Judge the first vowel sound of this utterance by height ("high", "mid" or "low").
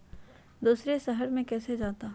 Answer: high